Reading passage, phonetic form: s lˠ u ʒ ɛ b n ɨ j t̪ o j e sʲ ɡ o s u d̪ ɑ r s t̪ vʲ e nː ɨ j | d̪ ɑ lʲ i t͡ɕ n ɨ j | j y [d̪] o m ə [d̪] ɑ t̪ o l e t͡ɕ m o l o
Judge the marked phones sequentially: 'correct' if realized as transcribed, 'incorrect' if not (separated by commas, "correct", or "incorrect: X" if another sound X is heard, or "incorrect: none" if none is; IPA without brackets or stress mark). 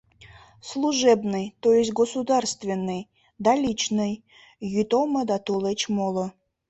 incorrect: t̪, correct